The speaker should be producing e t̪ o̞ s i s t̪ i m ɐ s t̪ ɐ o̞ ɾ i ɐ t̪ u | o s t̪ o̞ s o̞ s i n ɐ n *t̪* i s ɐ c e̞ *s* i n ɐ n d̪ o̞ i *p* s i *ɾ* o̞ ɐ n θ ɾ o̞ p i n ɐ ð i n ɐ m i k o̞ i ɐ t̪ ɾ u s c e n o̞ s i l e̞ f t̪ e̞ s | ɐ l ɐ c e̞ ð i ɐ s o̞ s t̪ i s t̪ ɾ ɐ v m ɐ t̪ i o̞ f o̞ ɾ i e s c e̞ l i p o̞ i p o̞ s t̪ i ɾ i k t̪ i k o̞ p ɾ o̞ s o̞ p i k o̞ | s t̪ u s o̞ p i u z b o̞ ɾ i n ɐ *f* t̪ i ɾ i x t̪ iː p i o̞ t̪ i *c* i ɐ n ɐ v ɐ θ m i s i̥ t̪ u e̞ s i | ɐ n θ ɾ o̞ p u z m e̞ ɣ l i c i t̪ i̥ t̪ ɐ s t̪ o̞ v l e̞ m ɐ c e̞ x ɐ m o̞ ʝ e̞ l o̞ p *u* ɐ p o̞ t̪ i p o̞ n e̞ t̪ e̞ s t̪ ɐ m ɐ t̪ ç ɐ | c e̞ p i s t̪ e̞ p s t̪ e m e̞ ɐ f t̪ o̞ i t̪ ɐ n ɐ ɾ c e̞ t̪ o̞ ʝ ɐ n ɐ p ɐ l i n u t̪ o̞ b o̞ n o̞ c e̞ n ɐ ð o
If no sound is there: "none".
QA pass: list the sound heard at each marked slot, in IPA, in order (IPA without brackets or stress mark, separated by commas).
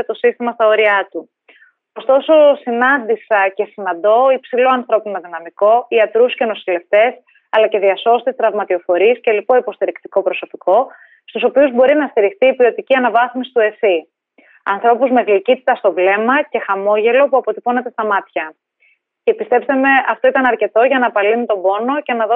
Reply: d̪, s, p, l, s, c, u